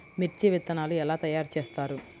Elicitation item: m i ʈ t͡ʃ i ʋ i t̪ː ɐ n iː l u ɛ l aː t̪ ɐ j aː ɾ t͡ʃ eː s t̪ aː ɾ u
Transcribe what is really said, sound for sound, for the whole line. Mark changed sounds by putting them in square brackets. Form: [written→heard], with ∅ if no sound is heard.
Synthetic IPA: m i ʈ t͡ʃ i ʋ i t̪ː ɐ n [iː→aː] l u ɛ l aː t̪ ɐ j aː ɾ t͡ʃ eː s t̪ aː ɾ u